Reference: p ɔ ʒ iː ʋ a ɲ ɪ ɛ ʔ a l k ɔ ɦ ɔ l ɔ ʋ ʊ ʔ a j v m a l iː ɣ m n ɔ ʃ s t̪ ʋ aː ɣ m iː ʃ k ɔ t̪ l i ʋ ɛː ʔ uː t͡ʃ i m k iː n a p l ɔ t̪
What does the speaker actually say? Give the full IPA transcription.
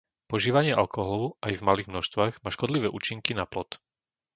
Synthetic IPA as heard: p ɔ ʒ iː ʋ a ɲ ɪ ɛ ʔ a l k ɔ ɦ ɔ l ɔ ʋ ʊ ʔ a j v m a l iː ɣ m n ɔ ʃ s t̪ ʋ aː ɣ m aː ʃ k ɔ d̪ l i ʋ ɛː ʔ uː t͡ʃ i ŋ k i n a p l ɔ t̪

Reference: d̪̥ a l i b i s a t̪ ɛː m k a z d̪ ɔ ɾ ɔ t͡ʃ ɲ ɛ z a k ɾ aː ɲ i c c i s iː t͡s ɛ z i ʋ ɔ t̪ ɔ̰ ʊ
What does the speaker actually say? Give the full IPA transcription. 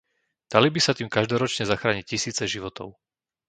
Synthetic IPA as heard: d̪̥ a l i b i s a t̪ iː m k a ʒ d̪ ɔ ɾ ɔ t͡ʃ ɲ ɛ z a x ɾ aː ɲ i c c i s iː t͡s ɛ ʒ i ʋ ɔ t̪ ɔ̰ ʊ

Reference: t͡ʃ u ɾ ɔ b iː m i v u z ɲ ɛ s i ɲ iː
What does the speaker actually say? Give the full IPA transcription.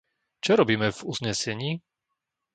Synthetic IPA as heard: t͡ʃ ɔ ɾ ɔ b iː m ɛ v u z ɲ ɛ s ɛ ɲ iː

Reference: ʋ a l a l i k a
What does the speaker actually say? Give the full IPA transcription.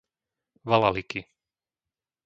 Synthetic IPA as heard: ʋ a l a l i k i

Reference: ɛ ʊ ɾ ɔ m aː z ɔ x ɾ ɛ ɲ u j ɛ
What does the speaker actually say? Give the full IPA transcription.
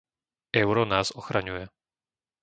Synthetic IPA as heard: ɛ ʊ ɾ ɔ n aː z ɔ x ɾ a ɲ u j ɛ

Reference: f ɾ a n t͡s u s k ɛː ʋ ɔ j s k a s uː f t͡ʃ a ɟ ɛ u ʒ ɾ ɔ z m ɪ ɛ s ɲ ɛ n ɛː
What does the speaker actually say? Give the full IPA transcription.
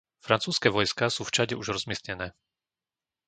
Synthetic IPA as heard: f ɾ a n t͡s uː s k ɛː ʋ ɔ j s k a s uː f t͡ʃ a ɟ ɛ u ʒ ɾ ɔ z m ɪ ɛ s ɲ ɛ n ɛː

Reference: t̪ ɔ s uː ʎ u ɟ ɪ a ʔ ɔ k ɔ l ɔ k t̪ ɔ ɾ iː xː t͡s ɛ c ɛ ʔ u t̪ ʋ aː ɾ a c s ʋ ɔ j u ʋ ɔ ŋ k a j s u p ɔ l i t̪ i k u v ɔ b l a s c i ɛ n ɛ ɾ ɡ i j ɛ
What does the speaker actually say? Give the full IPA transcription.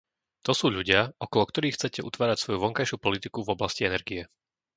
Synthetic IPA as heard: t̪ ɔ s uː ʎ u ɟ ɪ a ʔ ɔ k ɔ l ɔ k t̪ ɔ ɾ iː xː t͡s ɛ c ɛ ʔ u t̪ ʋ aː ɾ a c s ʋ ɔ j u ʋ ɔ ŋ k a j ʃ u p ɔ l i t̪ i k u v ɔ b l a s c i ɛ n ɛ ɾ ɡ i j ɛ

